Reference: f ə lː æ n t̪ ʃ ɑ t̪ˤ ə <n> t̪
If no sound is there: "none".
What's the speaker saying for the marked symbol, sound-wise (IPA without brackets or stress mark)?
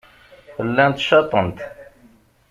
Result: n